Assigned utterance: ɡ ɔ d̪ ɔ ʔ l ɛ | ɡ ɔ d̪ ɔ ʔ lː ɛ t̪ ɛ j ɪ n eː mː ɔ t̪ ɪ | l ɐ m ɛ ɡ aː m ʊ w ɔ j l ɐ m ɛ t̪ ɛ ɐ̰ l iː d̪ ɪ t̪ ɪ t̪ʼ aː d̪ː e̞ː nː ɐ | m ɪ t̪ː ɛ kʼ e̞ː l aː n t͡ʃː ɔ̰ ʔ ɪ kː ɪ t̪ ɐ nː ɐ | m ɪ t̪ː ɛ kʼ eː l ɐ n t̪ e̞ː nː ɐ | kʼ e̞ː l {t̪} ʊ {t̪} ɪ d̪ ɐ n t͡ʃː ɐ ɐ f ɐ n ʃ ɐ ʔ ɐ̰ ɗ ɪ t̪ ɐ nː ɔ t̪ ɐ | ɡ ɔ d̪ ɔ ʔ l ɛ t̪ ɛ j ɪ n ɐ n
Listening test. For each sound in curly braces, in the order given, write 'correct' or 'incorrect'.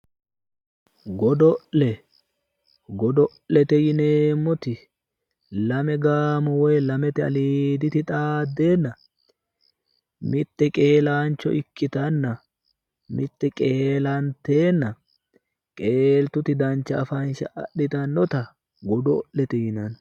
correct, correct

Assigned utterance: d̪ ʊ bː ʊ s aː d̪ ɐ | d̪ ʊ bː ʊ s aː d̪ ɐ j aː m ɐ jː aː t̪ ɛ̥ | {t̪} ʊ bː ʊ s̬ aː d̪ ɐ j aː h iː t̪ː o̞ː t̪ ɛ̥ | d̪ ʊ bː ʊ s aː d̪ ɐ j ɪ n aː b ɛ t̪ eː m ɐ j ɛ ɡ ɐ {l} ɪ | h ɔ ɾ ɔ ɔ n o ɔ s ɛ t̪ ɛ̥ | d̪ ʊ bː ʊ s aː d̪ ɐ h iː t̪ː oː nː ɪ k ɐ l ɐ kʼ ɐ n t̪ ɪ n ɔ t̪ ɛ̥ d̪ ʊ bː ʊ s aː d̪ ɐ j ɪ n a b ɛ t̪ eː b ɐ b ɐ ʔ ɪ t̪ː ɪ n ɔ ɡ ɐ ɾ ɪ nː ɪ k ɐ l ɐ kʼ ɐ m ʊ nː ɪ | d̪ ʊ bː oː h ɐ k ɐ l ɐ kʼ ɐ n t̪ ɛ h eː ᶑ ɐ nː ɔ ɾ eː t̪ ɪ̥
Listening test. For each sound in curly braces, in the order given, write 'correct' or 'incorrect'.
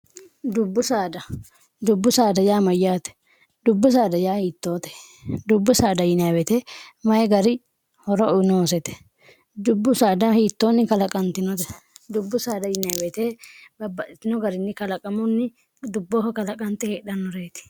incorrect: d̪, incorrect: ɾ

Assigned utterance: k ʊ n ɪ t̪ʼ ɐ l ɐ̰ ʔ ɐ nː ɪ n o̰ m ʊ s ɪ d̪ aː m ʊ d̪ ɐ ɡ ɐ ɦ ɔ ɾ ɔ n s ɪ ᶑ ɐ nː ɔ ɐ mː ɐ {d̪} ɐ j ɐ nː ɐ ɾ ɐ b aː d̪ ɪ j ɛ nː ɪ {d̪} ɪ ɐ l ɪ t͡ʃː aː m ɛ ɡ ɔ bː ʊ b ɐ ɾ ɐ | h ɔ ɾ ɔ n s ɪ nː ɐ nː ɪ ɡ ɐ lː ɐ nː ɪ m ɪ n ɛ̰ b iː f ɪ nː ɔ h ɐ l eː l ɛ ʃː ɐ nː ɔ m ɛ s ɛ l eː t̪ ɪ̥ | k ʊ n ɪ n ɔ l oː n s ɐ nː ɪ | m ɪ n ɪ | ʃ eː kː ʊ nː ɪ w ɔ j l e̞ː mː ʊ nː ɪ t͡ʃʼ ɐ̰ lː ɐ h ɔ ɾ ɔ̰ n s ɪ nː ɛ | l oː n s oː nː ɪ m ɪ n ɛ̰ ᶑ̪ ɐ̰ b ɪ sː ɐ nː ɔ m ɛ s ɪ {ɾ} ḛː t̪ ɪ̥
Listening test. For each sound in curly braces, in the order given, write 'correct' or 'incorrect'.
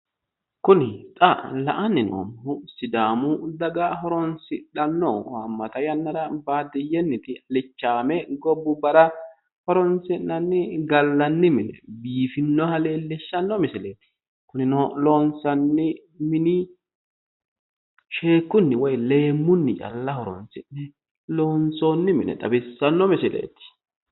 incorrect: t̪, incorrect: t̪, incorrect: l

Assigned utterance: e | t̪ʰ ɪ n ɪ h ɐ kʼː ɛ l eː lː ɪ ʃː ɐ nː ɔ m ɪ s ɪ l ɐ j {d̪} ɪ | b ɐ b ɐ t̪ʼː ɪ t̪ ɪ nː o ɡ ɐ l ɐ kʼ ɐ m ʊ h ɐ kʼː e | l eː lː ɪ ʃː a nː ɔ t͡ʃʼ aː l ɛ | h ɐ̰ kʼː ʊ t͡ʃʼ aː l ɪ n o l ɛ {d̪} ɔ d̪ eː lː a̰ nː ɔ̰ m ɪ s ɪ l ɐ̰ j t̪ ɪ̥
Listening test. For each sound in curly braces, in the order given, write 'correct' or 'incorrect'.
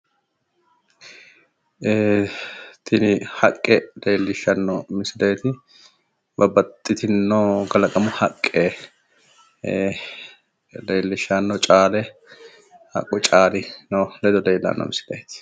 incorrect: t̪, correct

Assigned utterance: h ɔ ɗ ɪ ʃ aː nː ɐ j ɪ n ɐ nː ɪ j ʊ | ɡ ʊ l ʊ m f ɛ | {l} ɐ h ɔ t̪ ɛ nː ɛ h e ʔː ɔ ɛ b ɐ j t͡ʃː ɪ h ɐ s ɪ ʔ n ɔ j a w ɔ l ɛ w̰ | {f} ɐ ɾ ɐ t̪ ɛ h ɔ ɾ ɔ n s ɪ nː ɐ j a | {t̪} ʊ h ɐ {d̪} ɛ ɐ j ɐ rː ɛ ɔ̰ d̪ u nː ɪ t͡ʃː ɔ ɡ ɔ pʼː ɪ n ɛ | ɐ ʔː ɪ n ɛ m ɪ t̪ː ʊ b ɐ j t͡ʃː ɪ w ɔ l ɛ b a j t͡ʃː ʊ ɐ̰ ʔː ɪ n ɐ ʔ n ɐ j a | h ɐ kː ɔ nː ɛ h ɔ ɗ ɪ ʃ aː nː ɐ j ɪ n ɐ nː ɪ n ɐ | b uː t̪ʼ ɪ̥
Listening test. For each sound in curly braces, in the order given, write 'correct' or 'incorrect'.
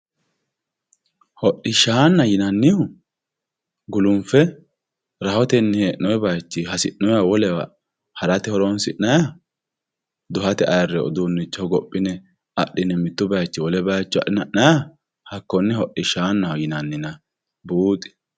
incorrect: ɾ, incorrect: h, incorrect: d̪, incorrect: t̪

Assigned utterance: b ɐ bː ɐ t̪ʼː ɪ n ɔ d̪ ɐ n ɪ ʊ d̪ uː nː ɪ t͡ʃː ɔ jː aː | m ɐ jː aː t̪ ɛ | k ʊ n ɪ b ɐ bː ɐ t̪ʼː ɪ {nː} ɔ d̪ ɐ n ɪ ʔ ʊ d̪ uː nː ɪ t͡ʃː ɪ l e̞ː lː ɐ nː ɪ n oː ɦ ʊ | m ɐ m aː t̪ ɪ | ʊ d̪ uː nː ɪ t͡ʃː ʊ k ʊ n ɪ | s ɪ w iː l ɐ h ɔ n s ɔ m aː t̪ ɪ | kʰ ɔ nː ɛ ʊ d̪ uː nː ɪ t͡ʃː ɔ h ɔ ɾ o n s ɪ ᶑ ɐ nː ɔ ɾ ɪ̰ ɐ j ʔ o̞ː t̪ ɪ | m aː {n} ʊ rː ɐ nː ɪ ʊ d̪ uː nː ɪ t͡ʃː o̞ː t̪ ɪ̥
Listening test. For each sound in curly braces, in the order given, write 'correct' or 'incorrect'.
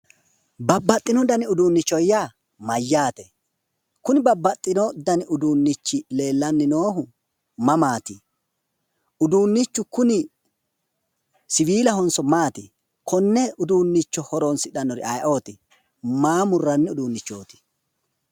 incorrect: n, incorrect: m

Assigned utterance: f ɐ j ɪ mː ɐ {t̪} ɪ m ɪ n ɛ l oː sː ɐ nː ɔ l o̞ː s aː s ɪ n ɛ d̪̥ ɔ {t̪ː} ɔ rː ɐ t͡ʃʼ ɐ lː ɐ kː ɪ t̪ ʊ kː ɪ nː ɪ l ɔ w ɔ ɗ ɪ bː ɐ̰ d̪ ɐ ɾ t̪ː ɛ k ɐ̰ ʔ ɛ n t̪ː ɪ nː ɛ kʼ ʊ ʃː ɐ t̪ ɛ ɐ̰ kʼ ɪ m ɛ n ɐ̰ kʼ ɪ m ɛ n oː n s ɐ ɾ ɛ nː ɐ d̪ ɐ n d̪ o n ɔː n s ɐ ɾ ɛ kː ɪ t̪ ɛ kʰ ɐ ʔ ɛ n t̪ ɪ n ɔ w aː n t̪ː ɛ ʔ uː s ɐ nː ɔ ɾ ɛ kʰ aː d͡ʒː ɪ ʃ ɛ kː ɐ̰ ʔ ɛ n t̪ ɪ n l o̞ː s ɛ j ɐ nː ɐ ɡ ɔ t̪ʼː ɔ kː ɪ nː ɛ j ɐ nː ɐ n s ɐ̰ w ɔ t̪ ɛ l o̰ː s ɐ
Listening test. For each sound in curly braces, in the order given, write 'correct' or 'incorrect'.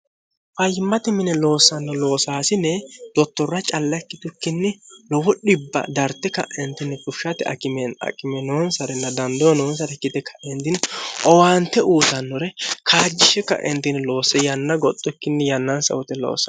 correct, correct

